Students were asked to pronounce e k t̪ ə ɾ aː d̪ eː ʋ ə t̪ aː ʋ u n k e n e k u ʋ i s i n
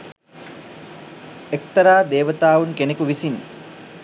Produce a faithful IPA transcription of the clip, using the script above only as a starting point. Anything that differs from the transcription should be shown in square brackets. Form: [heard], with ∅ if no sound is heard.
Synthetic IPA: e k t̪ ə ɾ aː d̪ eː ʋ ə t̪ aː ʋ u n k e n e k u ʋ i s i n